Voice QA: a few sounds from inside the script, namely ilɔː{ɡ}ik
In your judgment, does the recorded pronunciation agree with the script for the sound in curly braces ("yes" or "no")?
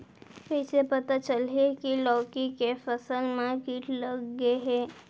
no